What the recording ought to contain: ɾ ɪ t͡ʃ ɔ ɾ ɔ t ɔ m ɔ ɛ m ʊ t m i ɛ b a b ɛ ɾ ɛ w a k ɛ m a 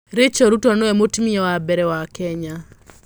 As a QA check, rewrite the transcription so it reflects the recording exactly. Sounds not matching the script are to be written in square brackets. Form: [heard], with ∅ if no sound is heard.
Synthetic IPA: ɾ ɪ t͡ʃ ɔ ɾ [u] t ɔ [n] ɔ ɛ m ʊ t m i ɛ [w] a b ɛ ɾ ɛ w a k ɛ [ɲ] a